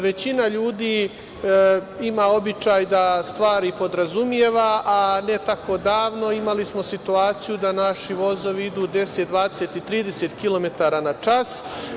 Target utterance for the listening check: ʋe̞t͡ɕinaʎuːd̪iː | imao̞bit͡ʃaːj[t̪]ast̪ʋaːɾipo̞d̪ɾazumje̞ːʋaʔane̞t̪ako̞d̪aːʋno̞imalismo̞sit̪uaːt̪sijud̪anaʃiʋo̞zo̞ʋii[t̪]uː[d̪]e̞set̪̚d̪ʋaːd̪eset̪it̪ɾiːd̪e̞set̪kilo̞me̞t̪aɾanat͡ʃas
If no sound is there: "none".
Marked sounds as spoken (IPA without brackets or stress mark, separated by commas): d̪, d̪, d̪